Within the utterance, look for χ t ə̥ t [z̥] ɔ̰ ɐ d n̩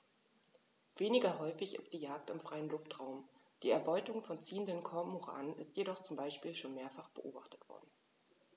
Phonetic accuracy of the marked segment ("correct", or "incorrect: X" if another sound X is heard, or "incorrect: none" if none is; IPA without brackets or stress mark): incorrect: v̥